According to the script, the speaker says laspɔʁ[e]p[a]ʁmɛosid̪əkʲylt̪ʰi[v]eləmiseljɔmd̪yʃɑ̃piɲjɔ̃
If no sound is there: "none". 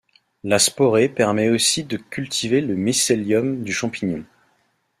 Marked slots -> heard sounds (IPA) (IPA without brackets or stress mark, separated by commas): e, ɛ, v